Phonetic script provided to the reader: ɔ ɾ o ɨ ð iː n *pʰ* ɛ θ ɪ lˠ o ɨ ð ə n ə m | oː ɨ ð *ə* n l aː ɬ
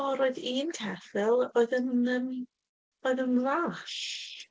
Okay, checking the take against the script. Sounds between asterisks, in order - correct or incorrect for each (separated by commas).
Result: incorrect, correct